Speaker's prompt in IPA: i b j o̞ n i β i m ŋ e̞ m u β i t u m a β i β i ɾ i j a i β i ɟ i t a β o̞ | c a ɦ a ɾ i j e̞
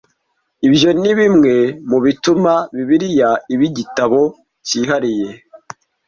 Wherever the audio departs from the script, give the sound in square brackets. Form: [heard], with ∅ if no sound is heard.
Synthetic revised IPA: i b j o̞ n i β i m ŋ e̞ m u β i t u m a β i β i ɾ i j a i β i ɟ i t a β o̞ | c [i] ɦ a ɾ i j e̞